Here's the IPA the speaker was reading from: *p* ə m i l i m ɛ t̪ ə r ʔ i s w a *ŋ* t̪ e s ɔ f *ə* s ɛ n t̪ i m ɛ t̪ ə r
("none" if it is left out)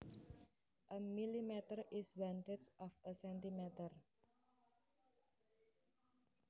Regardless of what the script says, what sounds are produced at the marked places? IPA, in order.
ʔ, n, ə

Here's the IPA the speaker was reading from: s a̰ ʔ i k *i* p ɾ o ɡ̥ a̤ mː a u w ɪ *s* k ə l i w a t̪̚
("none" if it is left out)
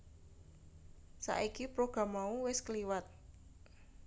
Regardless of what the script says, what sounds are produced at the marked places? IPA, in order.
i, s

